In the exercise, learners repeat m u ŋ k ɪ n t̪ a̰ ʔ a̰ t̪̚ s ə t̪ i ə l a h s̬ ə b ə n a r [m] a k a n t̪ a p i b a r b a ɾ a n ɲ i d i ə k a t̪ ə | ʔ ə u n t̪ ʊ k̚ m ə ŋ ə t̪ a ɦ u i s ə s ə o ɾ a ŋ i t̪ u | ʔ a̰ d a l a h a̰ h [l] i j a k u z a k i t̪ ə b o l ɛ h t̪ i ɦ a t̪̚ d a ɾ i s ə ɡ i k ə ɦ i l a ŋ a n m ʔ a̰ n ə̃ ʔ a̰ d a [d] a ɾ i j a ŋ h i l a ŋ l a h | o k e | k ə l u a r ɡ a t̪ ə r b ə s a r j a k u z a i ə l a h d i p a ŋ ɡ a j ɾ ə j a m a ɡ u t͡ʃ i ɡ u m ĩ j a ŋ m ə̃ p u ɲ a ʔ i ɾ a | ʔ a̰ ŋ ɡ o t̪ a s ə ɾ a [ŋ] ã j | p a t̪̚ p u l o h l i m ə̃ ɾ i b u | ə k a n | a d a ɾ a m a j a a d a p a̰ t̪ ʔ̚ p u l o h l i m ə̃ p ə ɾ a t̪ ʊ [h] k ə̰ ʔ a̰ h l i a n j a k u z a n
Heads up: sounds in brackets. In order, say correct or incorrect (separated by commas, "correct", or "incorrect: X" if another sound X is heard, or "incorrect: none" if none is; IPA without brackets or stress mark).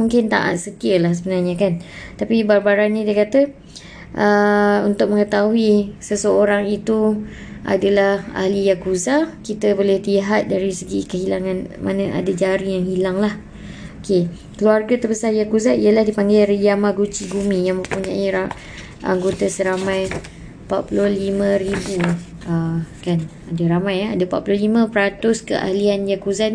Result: incorrect: ɲ, correct, incorrect: d͡ʒ, incorrect: m, incorrect: s